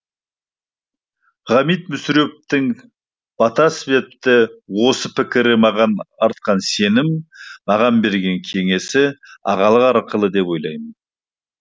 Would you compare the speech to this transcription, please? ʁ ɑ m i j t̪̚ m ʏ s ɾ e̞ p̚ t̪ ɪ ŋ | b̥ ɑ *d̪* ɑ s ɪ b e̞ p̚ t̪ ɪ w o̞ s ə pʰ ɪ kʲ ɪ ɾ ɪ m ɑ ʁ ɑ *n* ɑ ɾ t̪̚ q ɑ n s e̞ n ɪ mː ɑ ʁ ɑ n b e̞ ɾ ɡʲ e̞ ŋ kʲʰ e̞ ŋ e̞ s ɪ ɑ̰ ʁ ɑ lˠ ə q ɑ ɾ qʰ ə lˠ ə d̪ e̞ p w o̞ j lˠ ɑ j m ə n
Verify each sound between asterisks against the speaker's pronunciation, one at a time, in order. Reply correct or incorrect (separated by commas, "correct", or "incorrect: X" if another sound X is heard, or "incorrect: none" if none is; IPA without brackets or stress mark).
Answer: incorrect: t̪, correct